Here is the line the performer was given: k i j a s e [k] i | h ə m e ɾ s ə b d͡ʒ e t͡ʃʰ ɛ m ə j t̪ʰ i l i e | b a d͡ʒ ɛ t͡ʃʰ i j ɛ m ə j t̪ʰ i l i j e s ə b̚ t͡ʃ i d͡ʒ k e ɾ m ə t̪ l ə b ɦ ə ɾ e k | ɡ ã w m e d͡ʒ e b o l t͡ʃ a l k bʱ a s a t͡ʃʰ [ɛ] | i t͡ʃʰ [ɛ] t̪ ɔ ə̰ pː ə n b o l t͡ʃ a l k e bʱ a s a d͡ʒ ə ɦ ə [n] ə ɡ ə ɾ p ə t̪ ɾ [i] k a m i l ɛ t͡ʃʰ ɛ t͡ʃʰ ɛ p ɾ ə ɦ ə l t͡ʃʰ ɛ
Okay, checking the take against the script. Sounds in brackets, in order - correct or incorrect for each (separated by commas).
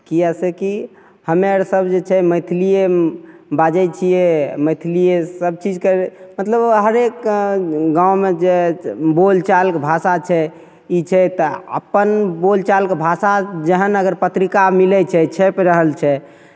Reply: correct, correct, correct, correct, correct